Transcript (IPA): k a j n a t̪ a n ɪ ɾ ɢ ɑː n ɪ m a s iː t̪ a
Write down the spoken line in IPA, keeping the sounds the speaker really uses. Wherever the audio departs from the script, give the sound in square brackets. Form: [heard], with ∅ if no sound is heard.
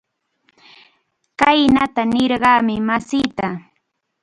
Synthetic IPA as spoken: k a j n a t̪ a n ɪ ɾ ɢ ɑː [m] ɪ m a s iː t̪ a